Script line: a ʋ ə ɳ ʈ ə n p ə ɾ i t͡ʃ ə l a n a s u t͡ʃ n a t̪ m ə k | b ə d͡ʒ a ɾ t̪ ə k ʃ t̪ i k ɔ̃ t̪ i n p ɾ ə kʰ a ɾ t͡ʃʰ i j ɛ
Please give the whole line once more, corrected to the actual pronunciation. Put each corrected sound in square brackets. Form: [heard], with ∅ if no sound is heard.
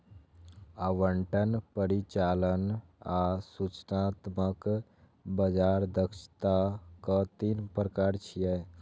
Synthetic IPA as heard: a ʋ ə ɳ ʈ ə n p ə ɾ i t͡ʃ [a] l [ə] n a s u t͡ʃ n a t̪ m ə k | b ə d͡ʒ a ɾ [d̪] ə k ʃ t̪ [a] k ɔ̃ t̪ i n p ɾ ə [k] a ɾ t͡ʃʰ i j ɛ